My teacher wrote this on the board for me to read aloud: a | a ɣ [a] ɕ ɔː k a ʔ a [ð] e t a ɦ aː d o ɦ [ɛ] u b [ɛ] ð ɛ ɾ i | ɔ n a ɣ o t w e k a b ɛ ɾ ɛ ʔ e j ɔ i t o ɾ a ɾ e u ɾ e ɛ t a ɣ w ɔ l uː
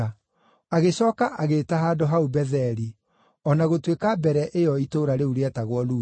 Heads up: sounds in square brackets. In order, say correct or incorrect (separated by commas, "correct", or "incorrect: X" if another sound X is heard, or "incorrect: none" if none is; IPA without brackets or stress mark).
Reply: incorrect: e, incorrect: ɣ, incorrect: a, correct